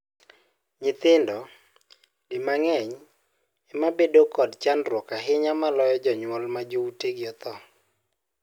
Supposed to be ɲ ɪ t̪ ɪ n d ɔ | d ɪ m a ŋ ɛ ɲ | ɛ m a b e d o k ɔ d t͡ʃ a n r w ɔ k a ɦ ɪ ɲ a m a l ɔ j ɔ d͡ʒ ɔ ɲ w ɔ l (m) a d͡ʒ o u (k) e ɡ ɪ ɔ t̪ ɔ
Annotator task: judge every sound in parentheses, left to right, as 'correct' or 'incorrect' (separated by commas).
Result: correct, incorrect